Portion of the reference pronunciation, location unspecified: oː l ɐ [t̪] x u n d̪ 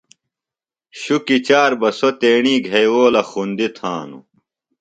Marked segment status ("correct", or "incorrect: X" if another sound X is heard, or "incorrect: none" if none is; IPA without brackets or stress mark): incorrect: none